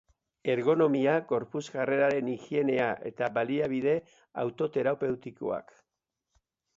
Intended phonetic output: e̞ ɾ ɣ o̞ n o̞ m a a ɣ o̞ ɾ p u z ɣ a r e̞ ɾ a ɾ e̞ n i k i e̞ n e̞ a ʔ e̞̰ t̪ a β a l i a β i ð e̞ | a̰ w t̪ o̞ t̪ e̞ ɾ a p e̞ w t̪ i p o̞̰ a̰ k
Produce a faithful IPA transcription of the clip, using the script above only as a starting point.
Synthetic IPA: e̞ ɾ ɣ o̞ n o̞ m i a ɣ o̞ ɾ p u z ɣ a r e̞ ɾ a ɾ e̞ n i x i e̞ n e̞ a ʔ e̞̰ t̪ a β a l i a β i ð e̞ | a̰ w t̪ o̞ t̪ e̞ ɾ a p e̞ w t̪ i k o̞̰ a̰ k